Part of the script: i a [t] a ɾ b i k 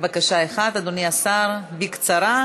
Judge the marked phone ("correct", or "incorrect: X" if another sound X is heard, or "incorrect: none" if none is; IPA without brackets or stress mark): incorrect: s